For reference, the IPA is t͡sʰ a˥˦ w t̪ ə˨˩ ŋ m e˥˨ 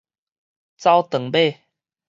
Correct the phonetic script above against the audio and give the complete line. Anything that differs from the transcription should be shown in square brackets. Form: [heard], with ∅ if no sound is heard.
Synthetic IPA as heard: [t͡s] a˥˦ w t̪ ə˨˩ ŋ [b] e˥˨